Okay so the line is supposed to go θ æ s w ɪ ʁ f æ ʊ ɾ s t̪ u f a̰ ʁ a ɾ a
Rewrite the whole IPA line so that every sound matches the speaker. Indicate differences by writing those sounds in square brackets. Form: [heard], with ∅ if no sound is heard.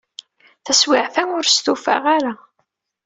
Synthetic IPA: θ æ s w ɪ [ʕ] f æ ʊ ɾ s t̪ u f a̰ ʁ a ɾ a